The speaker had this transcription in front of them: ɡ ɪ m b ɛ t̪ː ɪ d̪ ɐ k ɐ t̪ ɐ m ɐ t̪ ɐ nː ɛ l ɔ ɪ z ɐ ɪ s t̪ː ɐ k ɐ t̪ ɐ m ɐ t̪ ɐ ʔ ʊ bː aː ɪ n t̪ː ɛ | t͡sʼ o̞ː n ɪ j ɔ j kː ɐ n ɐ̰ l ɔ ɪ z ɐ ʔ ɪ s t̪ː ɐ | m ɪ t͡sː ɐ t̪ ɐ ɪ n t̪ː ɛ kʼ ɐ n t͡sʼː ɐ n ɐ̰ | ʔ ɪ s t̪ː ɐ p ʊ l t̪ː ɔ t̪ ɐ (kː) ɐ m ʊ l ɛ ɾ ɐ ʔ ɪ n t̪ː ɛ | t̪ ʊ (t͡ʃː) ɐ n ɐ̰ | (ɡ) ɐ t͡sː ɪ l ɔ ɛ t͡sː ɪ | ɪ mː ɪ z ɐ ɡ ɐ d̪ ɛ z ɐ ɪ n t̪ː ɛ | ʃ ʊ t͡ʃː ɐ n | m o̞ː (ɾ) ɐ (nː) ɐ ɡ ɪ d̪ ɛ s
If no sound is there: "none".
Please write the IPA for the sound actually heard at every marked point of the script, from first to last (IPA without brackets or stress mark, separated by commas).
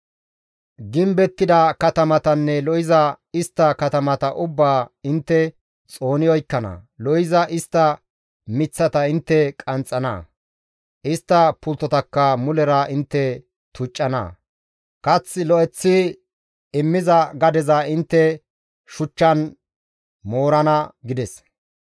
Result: kː, t͡ʃʼː, k, ɾ, n